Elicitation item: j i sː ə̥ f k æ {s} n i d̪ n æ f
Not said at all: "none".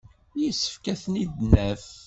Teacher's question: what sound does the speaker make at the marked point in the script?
θ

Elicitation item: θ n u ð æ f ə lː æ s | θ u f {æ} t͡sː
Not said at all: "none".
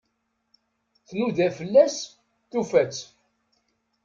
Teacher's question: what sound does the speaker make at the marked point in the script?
æ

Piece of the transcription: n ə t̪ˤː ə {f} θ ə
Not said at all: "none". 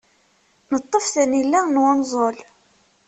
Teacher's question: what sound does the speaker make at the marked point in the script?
f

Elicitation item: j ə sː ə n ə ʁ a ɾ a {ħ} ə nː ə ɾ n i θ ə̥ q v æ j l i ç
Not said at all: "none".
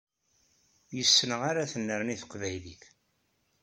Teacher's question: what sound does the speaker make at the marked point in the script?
θ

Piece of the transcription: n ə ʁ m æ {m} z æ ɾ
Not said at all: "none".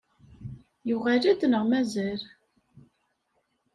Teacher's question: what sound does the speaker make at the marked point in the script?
none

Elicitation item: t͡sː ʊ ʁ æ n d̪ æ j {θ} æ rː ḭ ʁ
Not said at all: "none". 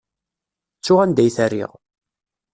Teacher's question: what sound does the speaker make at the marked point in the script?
θ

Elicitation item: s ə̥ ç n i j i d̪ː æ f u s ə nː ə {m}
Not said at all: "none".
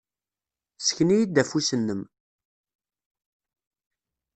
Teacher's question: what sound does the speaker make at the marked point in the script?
m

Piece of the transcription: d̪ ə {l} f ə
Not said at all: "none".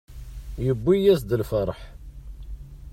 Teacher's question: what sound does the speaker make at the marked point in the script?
l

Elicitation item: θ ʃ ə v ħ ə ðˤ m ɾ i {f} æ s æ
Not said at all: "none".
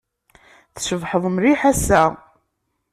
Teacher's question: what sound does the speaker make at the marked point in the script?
ħ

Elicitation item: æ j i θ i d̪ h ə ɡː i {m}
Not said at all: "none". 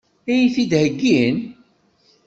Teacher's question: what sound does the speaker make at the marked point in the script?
n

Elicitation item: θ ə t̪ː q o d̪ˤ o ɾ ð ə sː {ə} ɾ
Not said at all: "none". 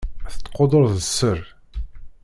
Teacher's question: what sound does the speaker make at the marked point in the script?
ə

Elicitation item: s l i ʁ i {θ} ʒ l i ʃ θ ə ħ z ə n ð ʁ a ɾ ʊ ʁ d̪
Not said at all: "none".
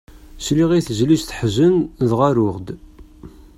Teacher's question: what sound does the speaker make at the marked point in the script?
θ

